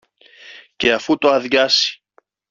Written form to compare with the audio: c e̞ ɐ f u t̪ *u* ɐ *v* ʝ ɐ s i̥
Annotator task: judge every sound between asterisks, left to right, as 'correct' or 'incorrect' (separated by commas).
incorrect, incorrect